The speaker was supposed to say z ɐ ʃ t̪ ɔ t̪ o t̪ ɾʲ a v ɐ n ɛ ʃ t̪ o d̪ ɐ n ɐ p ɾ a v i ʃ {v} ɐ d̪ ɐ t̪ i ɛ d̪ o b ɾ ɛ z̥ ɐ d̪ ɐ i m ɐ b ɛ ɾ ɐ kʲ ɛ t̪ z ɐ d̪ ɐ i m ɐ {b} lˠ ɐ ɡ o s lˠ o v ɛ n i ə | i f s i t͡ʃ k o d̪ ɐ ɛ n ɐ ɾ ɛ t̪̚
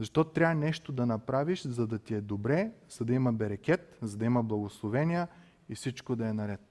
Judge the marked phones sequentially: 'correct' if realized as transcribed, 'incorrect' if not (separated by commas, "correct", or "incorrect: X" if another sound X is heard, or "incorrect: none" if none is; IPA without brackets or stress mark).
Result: incorrect: z, correct